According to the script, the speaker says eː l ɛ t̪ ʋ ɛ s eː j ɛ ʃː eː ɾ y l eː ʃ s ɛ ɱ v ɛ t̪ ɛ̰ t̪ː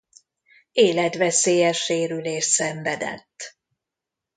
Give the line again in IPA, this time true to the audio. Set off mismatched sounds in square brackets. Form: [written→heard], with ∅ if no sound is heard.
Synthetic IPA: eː l ɛ t̪ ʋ ɛ s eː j ɛ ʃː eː ɾ y l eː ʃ s ɛ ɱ v ɛ [t̪→d̪] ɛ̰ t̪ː

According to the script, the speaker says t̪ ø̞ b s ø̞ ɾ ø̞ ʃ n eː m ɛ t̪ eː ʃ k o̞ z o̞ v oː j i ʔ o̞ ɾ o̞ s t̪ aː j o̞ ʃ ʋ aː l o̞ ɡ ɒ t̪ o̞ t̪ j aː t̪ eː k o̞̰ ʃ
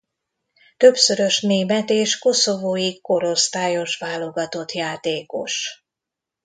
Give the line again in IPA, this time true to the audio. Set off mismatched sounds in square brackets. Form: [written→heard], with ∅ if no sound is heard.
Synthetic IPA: t̪ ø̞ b s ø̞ ɾ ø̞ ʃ n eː m ɛ t̪ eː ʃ k o̞ [z→s] o̞ v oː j i [ʔ→k] o̞ ɾ o̞ s t̪ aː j o̞ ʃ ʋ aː l o̞ ɡ ɒ t̪ o̞ t̪ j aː t̪ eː k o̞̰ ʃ

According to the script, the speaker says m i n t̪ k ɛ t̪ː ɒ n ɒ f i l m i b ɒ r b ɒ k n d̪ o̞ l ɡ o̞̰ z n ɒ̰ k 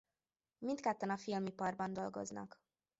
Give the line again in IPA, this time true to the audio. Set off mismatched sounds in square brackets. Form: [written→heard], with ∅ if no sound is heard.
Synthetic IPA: m i n t̪ k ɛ t̪ː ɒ n ɒ f i l m i [b→p] ɒ r b ɒ [k→∅] n d̪ o̞ l ɡ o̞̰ z n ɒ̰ k

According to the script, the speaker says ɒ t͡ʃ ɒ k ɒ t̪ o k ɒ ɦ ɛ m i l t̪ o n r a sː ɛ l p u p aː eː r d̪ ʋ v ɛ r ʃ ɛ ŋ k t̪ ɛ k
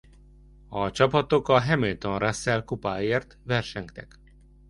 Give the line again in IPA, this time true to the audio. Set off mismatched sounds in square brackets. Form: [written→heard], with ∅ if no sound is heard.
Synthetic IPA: ɒ t͡ʃ ɒ [k→p] ɒ t̪ o k ɒ ɦ ɛ m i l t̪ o n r a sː ɛ l [p→k] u p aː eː r [d̪→t̪] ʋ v ɛ r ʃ ɛ ŋ k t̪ ɛ k

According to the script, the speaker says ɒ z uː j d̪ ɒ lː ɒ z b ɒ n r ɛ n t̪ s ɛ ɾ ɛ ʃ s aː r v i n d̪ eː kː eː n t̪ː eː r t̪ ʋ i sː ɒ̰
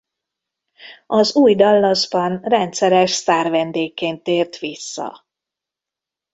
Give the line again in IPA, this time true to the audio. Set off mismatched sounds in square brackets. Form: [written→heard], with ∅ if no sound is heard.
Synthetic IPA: ɒ z uː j d̪ ɒ lː ɒ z b ɒ n r ɛ n t̪ s ɛ ɾ ɛ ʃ s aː r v [i→ɛ] n d̪ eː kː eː n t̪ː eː r t̪ ʋ i sː ɒ̰

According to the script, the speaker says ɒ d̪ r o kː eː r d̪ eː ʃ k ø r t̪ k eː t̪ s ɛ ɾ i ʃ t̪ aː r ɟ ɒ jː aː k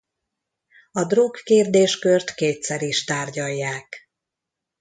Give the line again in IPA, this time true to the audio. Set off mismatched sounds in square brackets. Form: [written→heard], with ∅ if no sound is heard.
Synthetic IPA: ɒ d̪ r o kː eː r d̪ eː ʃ k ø r t̪ k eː t̪ s ɛ ɾ i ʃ t̪ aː r ɟ ɒ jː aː k

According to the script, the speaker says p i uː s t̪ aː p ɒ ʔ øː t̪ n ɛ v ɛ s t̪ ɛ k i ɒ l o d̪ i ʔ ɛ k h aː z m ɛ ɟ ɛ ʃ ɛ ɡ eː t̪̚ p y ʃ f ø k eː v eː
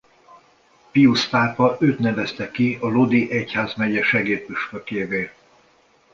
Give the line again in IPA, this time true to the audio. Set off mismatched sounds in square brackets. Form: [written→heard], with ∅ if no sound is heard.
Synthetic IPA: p i [uː→u] s t̪ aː p ɒ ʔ øː t̪ n ɛ v ɛ s t̪ ɛ k i ɒ l o d̪ i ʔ ɛ [k→c] h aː z m ɛ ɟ ɛ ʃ ɛ ɡ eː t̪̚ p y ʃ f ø k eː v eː

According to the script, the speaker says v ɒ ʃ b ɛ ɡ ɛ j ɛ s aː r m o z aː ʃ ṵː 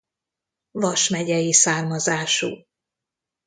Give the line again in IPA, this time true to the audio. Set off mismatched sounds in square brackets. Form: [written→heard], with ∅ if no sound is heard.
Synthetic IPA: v ɒ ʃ [b→m] ɛ [ɡ→ɟ] ɛ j [ɛ→i] s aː r m [o→ɒ] z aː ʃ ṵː

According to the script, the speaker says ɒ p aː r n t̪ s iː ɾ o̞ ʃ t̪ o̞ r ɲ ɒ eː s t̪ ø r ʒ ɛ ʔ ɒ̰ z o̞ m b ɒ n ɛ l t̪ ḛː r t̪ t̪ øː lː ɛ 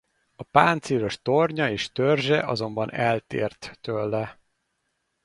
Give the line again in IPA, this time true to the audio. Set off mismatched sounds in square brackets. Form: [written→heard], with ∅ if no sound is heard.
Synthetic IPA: ɒ p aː [r→∅] n t̪ s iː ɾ o̞ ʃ t̪ o̞ r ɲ ɒ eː [s→ʃ] t̪ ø r ʒ ɛ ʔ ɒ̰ z o̞ m b ɒ n ɛ l t̪ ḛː r t̪ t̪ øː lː ɛ

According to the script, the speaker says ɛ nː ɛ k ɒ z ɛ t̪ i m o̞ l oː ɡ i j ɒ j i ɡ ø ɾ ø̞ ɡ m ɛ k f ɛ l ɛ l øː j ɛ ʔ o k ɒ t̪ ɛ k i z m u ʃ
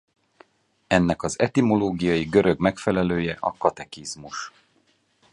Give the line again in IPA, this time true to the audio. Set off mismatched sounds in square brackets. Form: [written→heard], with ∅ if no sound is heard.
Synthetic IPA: ɛ nː ɛ k ɒ z ɛ t̪ i m o̞ l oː ɡ i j ɒ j i ɡ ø ɾ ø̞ ɡ m ɛ k f ɛ l ɛ l øː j ɛ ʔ [o→ɒ] k ɒ t̪ ɛ k i z m u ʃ

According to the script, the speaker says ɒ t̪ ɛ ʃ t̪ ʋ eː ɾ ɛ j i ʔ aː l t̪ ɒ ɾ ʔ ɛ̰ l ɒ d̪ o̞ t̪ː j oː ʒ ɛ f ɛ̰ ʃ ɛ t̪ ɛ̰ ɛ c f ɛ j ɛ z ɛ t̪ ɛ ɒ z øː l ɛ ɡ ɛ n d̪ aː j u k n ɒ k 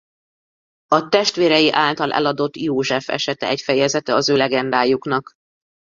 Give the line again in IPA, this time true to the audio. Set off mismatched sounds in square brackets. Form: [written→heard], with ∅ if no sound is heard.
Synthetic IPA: ɒ t̪ ɛ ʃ t̪ ʋ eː ɾ ɛ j i ʔ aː l t̪ ɒ [ɾ→l] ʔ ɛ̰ l ɒ d̪ o̞ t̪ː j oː ʒ ɛ f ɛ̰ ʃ ɛ t̪ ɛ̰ ɛ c f ɛ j ɛ z ɛ t̪ ɛ ɒ z øː l ɛ ɡ ɛ n d̪ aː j u k n ɒ k

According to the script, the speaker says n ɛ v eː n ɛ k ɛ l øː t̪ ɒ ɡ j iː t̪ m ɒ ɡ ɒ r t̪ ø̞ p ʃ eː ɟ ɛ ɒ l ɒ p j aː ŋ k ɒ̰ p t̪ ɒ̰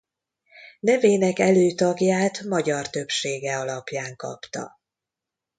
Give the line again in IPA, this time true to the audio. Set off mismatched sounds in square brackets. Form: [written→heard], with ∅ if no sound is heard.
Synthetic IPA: n ɛ v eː n ɛ k ɛ l øː t̪ ɒ ɡ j [iː→aː] t̪ m ɒ [ɡ→ɟ] ɒ r t̪ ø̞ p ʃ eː [ɟ→ɡ] ɛ ɒ l ɒ p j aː ŋ k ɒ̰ p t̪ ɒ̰

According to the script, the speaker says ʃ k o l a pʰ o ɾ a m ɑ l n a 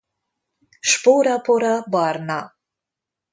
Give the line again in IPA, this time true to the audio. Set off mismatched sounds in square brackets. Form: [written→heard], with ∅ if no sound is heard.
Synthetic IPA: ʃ [k→p] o [l→ɾ] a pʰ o ɾ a [m→b] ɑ [l→ɾ] n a

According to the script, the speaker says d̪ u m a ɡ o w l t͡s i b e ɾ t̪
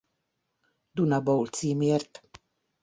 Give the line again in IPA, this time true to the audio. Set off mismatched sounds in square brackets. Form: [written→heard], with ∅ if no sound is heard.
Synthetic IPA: d̪ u [m→n] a [ɡ→b] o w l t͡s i [b→m] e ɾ t̪

